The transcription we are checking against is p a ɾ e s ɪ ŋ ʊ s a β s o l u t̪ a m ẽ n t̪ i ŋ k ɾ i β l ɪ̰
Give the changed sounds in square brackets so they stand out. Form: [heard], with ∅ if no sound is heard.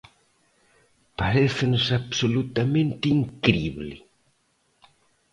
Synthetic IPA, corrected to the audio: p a ɾ e [θ] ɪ [n] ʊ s a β s o l u t̪ a m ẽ n t̪ i ŋ k ɾ i β l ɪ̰